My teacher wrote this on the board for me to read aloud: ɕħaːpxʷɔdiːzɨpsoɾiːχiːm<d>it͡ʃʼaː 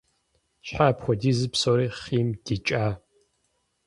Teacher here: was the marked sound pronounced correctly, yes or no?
yes